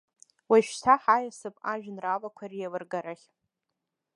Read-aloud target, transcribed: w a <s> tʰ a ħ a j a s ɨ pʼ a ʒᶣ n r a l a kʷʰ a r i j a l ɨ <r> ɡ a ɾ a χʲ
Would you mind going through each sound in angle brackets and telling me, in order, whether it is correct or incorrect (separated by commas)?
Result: incorrect, correct